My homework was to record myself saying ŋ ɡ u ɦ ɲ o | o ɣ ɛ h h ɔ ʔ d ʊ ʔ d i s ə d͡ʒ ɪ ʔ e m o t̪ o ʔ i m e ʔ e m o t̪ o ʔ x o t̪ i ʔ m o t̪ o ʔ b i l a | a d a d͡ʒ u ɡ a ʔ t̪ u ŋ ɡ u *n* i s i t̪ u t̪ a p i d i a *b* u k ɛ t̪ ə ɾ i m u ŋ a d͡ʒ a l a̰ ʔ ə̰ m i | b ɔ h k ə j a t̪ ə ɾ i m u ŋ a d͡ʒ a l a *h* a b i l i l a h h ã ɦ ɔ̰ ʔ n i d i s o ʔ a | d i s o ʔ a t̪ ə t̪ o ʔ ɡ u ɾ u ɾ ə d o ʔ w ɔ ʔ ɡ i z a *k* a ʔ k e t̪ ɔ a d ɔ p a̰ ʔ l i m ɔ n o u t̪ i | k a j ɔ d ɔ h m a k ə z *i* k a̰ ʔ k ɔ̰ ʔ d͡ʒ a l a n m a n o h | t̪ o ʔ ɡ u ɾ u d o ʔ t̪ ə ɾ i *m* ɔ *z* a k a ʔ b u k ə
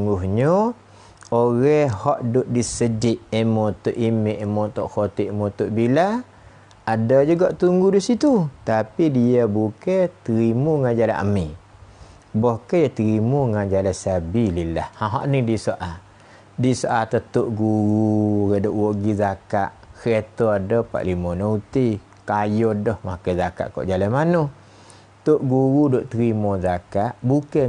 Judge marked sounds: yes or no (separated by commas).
no, yes, no, yes, no, yes, yes